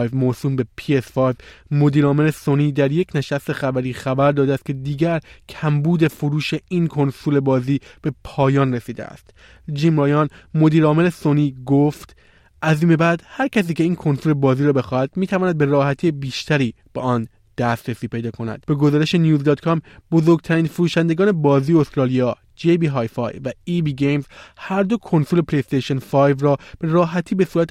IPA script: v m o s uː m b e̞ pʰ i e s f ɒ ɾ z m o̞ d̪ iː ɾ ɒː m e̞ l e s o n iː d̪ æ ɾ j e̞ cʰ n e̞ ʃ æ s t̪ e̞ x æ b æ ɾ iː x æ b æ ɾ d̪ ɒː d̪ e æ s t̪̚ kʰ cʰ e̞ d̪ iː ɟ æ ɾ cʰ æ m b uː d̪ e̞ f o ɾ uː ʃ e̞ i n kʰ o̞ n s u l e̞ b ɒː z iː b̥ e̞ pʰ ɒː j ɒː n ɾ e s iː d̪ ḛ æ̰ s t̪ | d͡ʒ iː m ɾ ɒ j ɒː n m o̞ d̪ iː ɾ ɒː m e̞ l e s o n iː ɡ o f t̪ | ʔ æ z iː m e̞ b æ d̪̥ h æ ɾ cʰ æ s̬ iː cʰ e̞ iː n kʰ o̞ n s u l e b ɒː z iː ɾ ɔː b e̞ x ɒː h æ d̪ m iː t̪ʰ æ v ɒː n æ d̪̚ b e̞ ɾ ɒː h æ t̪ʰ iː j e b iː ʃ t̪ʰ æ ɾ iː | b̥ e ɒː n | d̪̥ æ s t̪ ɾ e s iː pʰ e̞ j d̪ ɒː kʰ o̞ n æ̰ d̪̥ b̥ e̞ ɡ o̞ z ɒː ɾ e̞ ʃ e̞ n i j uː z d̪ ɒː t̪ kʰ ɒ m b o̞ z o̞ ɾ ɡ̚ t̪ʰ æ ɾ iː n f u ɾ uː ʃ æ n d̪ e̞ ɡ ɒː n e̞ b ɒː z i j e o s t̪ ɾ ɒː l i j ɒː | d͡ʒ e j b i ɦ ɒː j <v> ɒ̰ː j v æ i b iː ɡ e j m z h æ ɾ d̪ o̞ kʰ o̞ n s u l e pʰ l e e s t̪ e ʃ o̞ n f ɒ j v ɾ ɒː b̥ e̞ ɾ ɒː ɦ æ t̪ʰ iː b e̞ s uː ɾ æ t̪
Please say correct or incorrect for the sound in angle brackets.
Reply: incorrect